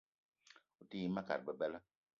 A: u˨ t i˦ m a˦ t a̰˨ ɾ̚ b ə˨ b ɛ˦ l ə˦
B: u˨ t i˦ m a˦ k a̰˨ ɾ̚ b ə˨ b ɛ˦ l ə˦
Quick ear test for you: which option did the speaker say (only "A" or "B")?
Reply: B